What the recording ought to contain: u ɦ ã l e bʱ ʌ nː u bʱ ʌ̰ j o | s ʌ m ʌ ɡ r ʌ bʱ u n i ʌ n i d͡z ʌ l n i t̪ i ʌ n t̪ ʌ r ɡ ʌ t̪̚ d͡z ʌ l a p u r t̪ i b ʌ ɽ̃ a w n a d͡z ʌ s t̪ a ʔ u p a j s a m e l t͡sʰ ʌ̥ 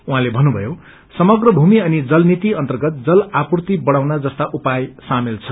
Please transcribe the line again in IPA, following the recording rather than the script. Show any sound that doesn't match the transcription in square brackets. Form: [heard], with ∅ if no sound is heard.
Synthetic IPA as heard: u ɦ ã l e bʱ ʌ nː u bʱ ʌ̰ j o | s ʌ m ʌ ɡ r ʌ bʱ u [m] i ʌ n i d͡z ʌ l n i t̪ i ʌ n t̪ ʌ r ɡ ʌ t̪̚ d͡z ʌ l a p u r t̪ i b ʌ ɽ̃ a w n a d͡z ʌ s t̪ a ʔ u p a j s a m e l t͡sʰ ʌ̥